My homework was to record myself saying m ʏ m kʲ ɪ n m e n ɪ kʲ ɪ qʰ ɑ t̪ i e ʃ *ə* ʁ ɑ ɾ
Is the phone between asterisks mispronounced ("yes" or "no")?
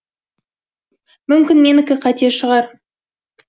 no